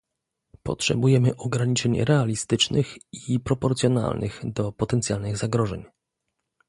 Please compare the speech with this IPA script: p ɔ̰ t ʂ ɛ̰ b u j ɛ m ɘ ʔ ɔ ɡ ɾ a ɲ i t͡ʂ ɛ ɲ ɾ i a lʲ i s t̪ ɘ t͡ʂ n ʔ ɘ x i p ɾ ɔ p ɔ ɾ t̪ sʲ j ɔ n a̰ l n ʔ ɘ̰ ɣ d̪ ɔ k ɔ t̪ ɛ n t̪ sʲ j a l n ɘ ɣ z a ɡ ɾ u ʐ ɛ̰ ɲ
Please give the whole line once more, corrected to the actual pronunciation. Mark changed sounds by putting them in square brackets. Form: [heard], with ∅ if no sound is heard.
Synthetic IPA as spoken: p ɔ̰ t ʂ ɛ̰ b u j ɛ m ɘ ʔ ɔ ɡ ɾ a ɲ i t͡ʂ ɛ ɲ ɾ [ɛ] a lʲ i s t̪ ɘ t͡ʂ n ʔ ɘ x i p ɾ ɔ p ɔ ɾ t̪ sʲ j ɔ n a̰ l n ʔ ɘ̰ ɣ d̪ ɔ [p] ɔ t̪ ɛ n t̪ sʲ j a l n ɘ ɣ z a ɡ ɾ [ɔ] ʐ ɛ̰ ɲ